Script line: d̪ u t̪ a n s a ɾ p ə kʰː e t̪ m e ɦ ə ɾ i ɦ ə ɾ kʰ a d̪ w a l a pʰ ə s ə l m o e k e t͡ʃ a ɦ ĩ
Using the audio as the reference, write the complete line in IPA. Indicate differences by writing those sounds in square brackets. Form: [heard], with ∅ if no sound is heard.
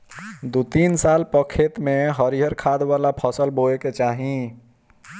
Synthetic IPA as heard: d̪ u t̪ [i] n s a [l] p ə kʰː e t̪ m e ɦ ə ɾ i ɦ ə ɾ kʰ a d̪ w a l a pʰ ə s ə l [b] o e k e t͡ʃ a ɦ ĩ